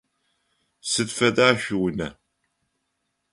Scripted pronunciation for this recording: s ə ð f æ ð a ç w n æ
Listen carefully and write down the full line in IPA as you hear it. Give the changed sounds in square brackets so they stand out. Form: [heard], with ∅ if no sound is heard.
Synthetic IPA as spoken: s ə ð f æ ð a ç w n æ